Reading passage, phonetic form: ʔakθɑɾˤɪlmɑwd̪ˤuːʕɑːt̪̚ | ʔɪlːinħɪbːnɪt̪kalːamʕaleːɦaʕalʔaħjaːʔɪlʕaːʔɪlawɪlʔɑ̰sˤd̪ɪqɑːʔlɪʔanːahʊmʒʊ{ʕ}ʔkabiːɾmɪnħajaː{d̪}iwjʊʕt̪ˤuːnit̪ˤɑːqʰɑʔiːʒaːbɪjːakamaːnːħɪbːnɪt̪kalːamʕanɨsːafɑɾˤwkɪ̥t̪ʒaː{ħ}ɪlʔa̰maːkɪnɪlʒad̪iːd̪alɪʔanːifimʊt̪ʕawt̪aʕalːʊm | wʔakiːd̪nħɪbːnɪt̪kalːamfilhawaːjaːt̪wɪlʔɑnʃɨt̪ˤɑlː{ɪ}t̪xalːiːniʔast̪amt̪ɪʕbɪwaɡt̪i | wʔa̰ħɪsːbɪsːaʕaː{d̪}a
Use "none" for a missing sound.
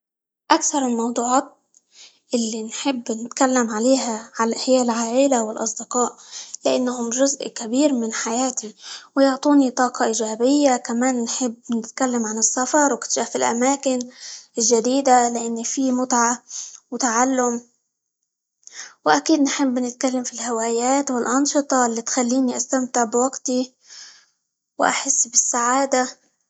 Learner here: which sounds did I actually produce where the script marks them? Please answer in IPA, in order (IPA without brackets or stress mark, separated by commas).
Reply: z, t̪, f, i, d̪